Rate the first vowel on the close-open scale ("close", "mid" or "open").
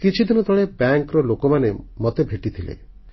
close